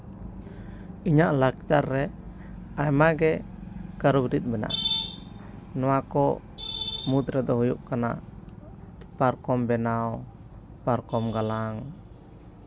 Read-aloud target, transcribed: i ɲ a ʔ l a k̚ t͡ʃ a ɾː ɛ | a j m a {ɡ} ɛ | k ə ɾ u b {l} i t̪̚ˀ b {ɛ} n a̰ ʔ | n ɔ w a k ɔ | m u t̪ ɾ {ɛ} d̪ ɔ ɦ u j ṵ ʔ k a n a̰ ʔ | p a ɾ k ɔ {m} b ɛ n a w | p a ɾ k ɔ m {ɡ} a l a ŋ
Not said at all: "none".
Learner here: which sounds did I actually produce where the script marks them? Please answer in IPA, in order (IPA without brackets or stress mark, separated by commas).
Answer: ɡ, ɾ, ɛ, ɛ, m, ɡ